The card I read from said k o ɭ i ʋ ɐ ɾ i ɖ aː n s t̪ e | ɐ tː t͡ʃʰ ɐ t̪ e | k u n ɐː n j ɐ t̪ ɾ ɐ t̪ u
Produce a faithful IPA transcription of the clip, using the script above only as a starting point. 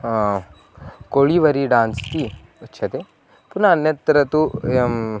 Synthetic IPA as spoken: k o ɭ i ʋ ɐ ɾ i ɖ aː n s t̪ i | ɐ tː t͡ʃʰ ɐ t̪ e | p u n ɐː n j ɐ t̪ ɾ ɐ t̪ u